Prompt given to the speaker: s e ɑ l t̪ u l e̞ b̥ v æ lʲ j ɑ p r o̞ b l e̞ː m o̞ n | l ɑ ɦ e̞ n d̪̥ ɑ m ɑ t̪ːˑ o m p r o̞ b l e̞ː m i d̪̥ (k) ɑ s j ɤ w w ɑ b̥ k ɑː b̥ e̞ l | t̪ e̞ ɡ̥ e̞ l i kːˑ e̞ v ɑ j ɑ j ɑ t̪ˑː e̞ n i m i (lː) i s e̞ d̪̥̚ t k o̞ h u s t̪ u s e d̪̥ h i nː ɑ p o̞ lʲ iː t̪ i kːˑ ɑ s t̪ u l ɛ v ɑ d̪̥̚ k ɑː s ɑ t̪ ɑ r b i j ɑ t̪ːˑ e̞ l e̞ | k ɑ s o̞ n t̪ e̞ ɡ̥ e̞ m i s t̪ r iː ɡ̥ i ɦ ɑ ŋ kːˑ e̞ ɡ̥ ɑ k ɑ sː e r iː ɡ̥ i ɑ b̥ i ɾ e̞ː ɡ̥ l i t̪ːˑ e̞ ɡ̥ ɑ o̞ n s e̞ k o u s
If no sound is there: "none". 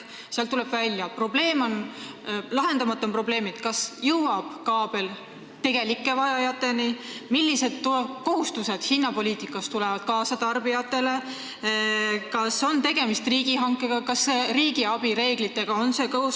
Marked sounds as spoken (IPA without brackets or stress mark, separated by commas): k, lː